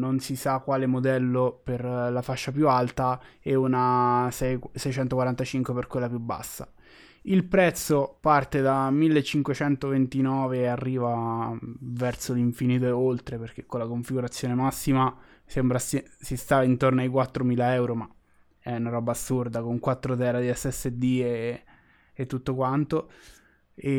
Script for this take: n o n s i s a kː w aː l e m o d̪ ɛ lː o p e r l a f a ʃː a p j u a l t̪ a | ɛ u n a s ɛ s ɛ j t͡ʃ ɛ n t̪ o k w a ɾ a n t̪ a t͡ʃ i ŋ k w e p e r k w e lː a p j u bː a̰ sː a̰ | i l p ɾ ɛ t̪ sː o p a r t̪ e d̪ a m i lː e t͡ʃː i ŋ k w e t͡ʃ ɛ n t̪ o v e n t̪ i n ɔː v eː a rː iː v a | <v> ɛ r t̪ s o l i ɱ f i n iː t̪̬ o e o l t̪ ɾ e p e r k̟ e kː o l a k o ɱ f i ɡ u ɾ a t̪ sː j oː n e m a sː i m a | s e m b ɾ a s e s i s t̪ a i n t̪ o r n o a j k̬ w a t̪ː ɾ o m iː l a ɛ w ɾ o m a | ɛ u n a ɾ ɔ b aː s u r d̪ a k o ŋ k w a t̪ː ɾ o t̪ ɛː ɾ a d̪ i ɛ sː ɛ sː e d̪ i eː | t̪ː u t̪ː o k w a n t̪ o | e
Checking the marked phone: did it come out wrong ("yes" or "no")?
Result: no